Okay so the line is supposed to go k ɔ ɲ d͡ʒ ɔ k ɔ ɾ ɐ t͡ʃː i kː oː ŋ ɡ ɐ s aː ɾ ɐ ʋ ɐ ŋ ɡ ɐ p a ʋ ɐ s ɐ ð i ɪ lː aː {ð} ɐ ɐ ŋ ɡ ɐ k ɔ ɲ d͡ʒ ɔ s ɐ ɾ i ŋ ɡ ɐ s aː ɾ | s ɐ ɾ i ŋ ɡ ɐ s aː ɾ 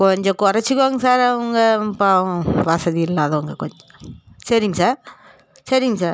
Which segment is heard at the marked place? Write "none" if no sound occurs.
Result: ð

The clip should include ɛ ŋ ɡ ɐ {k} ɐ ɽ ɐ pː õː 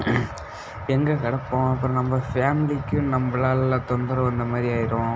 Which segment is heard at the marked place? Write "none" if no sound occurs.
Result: k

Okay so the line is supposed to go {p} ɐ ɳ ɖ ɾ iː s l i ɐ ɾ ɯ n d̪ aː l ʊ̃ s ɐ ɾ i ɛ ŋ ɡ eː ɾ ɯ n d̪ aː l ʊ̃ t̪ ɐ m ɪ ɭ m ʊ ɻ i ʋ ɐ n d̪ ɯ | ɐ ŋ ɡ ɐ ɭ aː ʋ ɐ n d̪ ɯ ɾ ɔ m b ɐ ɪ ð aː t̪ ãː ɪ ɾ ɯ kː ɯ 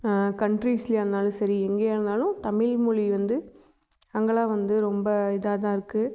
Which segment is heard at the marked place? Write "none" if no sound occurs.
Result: k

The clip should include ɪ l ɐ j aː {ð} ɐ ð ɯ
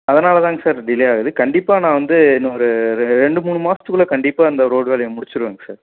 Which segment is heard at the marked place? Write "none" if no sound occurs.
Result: ɣ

